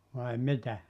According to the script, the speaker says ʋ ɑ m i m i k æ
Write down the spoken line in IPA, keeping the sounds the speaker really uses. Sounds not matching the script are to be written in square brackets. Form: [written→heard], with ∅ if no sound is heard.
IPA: ʋ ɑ [m→∅] i m i [k→t] æ

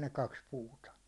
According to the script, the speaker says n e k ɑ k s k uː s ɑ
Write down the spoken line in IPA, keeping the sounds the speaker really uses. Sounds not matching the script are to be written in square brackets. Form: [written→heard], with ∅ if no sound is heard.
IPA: n e k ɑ k s [k→p] uː [s→t] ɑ

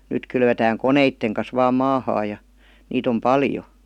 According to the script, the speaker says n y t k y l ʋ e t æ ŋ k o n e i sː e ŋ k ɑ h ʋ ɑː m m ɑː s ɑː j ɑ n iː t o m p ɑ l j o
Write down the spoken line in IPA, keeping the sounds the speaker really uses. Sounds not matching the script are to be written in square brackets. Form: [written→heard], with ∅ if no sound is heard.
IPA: n y t k y l ʋ e t [æ→æː] ŋ k o n e i [sː→tː] e ŋ k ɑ [h→s] ʋ ɑː m m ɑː [s→h] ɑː j ɑ n iː t o m p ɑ l j o

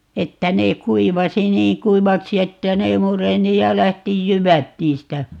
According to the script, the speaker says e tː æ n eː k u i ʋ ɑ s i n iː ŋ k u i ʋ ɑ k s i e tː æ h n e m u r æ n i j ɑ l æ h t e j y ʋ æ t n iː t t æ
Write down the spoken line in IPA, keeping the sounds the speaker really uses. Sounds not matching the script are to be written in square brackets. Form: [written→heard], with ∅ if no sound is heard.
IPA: e tː æ n eː k u i ʋ ɑ s i n iː ŋ k u i ʋ ɑ k s i e tː æ [h→∅] n e m u r [æ→e] n i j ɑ l æ h t [e→i] j y ʋ æ t n iː [t→s] t æ

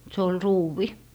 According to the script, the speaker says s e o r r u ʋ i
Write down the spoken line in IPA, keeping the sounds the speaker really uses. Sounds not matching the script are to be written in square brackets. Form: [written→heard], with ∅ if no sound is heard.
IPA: s e o [r→l] r [u→uː] ʋ i

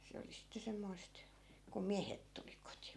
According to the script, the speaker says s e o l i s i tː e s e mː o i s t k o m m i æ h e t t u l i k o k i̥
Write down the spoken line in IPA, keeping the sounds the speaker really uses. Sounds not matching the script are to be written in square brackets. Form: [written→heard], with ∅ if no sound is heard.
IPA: s e o l i s i tː e s e mː o i s t k [o→u] m m i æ h e t t u l i k o [k→t] i̥

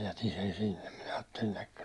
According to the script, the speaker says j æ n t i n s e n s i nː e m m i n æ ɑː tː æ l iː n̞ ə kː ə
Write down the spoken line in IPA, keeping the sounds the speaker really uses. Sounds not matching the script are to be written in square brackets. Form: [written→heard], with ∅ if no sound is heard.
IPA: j æ [n→∅] t i n s e n s i nː e m m i n æ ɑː tː [æ→e] l [iː→i] n̞ ə kː ə

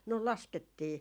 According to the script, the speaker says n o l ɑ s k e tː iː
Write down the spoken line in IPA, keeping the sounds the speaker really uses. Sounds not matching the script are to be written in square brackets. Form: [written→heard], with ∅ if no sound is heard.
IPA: n o l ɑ s k e tː iː

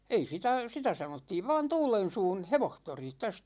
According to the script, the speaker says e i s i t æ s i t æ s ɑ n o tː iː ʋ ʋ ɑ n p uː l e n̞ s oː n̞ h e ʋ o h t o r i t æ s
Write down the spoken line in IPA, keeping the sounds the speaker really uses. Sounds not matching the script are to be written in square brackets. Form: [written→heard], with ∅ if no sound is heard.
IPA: e i s i t æ s i t æ s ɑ n o tː iː ʋ ʋ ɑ n [p→t] uː l e n̞ s [oː→uː] n̞ h e ʋ o h t o r i t æ s

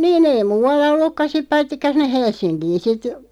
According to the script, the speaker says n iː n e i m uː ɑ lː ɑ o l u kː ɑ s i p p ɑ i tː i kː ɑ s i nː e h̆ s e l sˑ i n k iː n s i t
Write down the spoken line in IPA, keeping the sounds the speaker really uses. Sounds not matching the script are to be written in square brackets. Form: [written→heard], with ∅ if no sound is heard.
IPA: n iː n e i m uː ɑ lː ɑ o [l→lː] u kː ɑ s i p p ɑ i tː i kː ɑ s i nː e h̆ [s→h] e l sˑ i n k iː n s i t

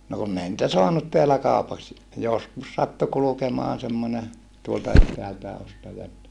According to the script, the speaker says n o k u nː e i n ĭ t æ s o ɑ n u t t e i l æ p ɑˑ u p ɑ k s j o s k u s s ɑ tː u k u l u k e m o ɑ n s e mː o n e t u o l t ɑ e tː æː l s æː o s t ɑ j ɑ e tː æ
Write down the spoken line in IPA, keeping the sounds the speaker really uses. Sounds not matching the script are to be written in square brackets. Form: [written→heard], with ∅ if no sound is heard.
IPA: n o k u nː e i n ĭ t æ s o ɑ n u t t e [i→æ] l æ [p→k] ɑˑ u p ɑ k s j o s k u s s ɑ tː u k u l u k e m o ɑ n s e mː o n e t u o l t ɑ e tː æː l [s→t] æː o s t ɑ j ɑ e tː æ

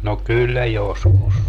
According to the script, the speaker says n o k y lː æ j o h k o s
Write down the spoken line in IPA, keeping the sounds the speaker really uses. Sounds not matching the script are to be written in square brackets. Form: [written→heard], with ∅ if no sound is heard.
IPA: n o k y lː æ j o [h→s] k [o→u] s

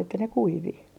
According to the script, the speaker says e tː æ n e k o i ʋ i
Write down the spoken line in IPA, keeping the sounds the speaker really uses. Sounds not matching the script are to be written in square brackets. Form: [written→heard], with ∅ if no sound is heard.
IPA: e tː æ n e k [o→u] i ʋ i

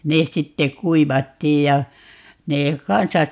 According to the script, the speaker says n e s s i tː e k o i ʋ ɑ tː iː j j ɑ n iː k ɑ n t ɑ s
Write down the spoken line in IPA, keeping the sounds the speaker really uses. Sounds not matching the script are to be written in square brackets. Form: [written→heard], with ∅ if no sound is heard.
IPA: n e s s i tː e k [o→u] i ʋ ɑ tː iː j j ɑ n [iː→eː] k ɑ n [t→s] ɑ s

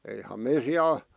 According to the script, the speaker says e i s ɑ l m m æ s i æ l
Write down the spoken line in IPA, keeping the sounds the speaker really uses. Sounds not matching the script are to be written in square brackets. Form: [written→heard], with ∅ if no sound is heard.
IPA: e i [s→h] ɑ [l→∅] m m [æ→e] s i æ l

